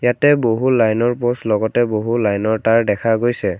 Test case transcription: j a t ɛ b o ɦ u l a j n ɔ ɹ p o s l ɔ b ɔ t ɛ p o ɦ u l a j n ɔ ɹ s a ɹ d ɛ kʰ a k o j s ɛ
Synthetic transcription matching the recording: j a t ɛ b o ɦ u l a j n ɔ ɹ p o s l ɔ ɡ ɔ t ɛ b o ɦ u l a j n ɔ ɹ t a ɹ d ɛ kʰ a ɡ o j s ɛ